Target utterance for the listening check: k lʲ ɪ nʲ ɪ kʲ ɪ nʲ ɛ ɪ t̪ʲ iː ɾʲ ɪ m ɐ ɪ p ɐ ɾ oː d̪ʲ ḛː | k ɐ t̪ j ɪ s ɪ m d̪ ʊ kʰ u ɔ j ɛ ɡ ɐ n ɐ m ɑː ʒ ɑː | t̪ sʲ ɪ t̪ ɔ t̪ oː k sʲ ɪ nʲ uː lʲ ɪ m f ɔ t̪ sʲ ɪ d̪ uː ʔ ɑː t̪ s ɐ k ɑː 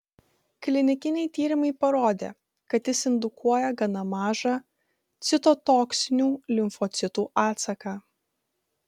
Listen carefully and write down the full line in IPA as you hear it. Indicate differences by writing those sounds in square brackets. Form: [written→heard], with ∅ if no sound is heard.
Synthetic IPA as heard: k lʲ ɪ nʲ ɪ kʲ ɪ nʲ ɛ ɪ t̪ʲ iː ɾʲ ɪ m ɐ ɪ p ɐ ɾ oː d̪ʲ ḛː | k ɐ t̪ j ɪ s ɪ [m→n] d̪ ʊ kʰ u ɔ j ɛ ɡ ɐ n ɐ m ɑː ʒ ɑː | t̪ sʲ ɪ t̪ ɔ t̪ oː k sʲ ɪ nʲ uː lʲ ɪ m f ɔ t̪ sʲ ɪ [d̪→t̪] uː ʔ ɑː t̪ s ɐ k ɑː